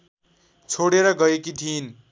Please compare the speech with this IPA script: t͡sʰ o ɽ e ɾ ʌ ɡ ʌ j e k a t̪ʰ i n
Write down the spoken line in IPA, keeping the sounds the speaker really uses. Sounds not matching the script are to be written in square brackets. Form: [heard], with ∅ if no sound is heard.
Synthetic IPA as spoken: t͡sʰ o ɽ e ɾ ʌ ɡ ʌ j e k [i] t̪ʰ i n